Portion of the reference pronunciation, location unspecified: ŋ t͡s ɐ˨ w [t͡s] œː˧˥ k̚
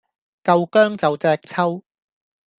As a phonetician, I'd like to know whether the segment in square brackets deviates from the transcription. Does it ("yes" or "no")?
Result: no